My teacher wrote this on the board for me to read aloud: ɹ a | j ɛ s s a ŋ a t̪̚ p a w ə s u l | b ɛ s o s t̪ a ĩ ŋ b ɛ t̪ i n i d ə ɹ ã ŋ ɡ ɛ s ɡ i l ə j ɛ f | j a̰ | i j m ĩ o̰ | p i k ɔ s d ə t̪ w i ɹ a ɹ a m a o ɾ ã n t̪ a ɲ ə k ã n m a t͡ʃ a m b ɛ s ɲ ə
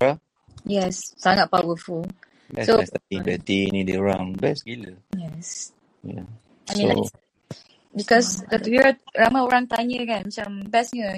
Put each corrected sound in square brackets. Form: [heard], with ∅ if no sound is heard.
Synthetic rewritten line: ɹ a | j ɛ s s a ŋ a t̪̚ p a w ə [f] u l | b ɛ s o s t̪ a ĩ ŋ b ɛ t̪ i n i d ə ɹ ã ŋ [b] ɛ s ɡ i l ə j ɛ [s] | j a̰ | [a] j m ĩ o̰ | [b] i k ɔ s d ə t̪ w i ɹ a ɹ a m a o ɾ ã [ŋ] t̪ a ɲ ə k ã n m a t͡ʃ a m b ɛ s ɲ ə